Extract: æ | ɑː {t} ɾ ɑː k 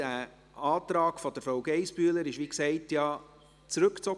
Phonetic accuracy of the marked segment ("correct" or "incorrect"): correct